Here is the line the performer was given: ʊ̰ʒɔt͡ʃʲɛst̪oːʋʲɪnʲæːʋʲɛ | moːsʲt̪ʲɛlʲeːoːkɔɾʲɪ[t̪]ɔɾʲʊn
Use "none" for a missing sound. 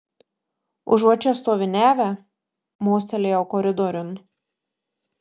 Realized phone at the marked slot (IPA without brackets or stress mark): d̪